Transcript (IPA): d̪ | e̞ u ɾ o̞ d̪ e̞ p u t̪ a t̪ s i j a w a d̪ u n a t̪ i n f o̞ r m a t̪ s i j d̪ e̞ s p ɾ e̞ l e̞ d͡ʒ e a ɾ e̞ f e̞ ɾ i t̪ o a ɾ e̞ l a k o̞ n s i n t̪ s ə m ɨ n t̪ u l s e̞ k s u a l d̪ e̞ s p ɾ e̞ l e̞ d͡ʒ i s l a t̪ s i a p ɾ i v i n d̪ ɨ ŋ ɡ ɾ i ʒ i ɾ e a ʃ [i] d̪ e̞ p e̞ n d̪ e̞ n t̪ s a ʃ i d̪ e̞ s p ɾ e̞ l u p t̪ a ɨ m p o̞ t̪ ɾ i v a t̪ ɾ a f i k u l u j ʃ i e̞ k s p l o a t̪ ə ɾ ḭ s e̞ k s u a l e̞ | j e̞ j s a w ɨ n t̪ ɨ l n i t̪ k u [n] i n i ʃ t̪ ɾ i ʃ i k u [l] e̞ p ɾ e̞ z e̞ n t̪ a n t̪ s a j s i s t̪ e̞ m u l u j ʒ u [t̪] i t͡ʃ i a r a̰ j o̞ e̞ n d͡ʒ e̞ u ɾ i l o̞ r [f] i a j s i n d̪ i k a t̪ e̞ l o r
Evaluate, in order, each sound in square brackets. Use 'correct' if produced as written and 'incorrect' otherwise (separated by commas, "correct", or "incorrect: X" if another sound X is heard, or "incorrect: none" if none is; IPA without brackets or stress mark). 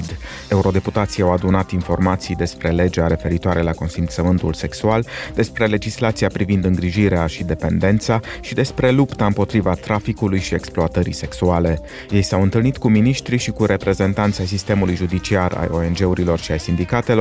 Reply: correct, incorrect: m, incorrect: ɾ, incorrect: d̪, incorrect: ʃ